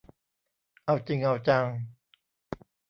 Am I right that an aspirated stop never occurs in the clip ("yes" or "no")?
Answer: yes